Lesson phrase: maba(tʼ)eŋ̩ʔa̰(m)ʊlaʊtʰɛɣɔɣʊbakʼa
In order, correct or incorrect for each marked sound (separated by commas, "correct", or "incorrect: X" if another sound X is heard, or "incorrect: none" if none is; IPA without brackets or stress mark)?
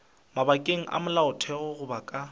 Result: incorrect: kʼ, correct